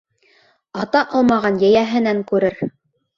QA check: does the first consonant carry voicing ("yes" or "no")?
no